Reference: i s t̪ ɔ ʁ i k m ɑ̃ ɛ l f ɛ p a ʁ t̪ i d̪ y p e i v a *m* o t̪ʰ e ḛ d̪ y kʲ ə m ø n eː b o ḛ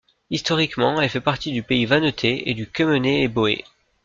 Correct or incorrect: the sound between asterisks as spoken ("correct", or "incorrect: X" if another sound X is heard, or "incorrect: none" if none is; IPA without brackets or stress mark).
incorrect: n